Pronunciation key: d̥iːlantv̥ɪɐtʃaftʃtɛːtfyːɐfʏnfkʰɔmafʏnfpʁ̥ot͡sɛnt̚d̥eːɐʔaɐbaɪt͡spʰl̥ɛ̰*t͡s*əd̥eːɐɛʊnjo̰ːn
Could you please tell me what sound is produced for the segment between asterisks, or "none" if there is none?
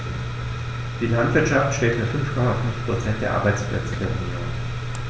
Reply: t͡s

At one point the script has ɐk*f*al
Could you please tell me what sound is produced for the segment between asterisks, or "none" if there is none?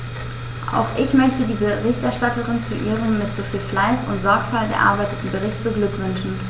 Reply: f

